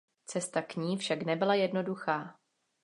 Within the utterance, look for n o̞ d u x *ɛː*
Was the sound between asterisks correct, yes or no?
no